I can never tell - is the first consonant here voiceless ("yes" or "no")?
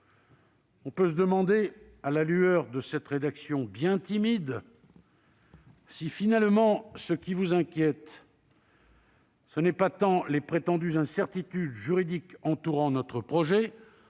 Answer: yes